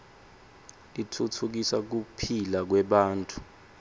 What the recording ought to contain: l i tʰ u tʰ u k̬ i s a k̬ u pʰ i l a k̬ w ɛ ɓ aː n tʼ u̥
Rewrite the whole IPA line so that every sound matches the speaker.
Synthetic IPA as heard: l i tʰ u tʰ u k̬ i s a k̬ u pʰ i l a k̬ w ɛ ɓ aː n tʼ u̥